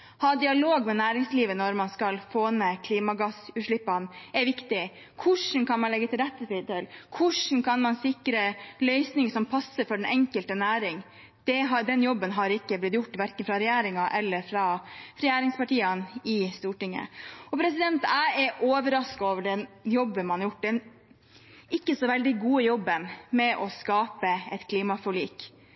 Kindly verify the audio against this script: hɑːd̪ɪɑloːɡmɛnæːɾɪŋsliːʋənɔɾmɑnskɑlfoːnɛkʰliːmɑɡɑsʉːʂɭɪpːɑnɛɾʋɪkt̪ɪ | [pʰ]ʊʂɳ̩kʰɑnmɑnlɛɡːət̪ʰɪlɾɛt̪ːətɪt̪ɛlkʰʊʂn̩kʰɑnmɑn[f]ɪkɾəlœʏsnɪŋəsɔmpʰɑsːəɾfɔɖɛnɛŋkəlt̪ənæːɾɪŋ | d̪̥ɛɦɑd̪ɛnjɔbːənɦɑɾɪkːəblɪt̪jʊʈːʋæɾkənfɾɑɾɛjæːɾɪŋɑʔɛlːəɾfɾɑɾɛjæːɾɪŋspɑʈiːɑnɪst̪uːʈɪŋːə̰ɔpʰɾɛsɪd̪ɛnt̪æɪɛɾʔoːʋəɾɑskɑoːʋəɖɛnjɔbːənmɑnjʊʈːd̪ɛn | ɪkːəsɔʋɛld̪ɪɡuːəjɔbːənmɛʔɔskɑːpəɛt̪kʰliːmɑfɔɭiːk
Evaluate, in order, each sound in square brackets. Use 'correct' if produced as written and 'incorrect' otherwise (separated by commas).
incorrect, incorrect